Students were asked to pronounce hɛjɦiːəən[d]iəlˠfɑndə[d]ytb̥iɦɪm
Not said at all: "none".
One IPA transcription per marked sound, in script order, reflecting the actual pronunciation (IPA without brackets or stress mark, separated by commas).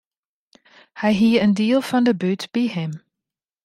d, b